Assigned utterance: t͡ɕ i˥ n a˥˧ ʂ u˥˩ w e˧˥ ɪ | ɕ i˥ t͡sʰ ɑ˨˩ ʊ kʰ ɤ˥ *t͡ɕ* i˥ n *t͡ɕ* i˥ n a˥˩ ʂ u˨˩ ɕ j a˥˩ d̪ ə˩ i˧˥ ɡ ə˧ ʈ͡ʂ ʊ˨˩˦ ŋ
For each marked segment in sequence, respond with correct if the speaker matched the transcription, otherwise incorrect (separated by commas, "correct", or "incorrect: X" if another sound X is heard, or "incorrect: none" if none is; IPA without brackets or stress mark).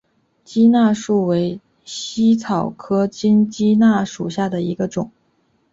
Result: correct, correct